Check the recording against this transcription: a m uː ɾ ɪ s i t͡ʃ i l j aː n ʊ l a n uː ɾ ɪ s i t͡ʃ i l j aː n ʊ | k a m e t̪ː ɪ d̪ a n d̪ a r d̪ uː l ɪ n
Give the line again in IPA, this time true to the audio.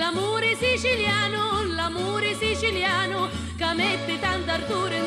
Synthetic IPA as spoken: a m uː ɾ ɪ s i t͡ʃ i l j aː n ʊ l a m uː ɾ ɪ s i t͡ʃ i l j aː n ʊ | k a m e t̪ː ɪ t̪ a n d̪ a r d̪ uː ɾ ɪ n